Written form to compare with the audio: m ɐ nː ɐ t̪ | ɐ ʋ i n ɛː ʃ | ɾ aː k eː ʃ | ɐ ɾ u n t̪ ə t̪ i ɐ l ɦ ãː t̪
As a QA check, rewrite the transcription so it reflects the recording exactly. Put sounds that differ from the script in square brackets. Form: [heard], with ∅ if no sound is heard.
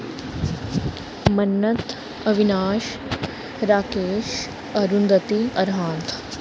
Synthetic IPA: m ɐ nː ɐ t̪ | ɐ ʋ i n [aː] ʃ | ɾ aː k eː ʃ | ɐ ɾ u n [d̪] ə t̪ i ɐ [ɾ] ɦ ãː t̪

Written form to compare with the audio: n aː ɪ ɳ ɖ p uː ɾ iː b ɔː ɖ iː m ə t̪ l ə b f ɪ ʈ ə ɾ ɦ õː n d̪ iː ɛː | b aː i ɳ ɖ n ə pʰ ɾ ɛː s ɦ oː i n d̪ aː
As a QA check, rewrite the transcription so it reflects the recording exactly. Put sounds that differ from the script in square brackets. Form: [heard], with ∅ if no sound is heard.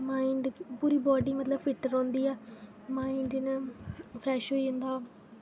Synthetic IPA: [m] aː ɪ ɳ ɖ p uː ɾ iː b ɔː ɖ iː m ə t̪ l ə b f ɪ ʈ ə ɾ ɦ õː n d̪ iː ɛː | [m] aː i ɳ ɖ n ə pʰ ɾ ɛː [ʃ] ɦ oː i n d̪ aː

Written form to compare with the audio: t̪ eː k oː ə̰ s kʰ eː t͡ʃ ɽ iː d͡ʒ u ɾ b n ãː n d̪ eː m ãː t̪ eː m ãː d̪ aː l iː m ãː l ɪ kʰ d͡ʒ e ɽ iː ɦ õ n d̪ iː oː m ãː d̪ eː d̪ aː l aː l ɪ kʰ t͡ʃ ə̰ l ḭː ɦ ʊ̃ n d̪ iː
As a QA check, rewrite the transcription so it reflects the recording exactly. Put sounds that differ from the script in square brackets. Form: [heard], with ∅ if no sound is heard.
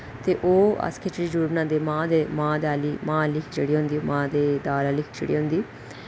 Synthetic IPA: t̪ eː [ʔ] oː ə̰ s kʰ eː t͡ʃ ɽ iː d͡ʒ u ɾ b n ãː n d̪ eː m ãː [d̪] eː m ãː d̪ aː l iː m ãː l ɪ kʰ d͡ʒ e ɽ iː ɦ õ n d̪ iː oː m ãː d̪ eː d̪ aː l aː l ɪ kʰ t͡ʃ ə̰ [ɽ] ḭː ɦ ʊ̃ n d̪ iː

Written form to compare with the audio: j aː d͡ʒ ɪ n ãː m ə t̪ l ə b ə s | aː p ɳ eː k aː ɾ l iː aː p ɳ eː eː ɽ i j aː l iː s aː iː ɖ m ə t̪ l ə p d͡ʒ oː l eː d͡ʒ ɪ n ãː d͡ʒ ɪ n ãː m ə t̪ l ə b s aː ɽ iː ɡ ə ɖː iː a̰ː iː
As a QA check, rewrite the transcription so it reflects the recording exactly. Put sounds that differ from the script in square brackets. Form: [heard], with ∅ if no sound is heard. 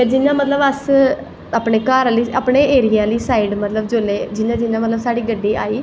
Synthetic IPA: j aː d͡ʒ ɪ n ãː m ə t̪ l ə b ə s | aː p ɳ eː k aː ɾ l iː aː p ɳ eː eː [ɾ] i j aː l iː s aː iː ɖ m ə t̪ l ə [b] d͡ʒ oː l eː d͡ʒ ɪ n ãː d͡ʒ ɪ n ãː m ə t̪ l ə b s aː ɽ iː ɡ ə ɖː iː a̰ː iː

